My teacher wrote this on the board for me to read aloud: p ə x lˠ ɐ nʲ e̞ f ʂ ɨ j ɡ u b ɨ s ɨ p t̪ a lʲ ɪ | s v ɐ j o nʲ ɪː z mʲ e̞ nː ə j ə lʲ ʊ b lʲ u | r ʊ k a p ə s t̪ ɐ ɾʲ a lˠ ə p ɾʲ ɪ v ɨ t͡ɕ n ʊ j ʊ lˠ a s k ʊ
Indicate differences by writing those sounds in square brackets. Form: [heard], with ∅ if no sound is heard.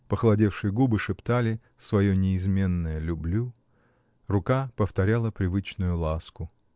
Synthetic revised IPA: p ə x lˠ ɐ [dʲ] e̞ f ʂ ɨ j ɡ u b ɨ [ʂ] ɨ p t̪ a lʲ ɪ | s v ɐ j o nʲ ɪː z mʲ e̞ nː ə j ə lʲ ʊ b lʲ u | r ʊ k a p ə [f] t̪ ɐ ɾʲ a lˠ ə p ɾʲ ɪ v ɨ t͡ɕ n ʊ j ʊ lˠ a s k ʊ